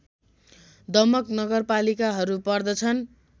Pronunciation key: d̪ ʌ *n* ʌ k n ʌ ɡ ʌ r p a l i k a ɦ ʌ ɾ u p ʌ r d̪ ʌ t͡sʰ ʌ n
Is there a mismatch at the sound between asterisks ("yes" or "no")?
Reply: yes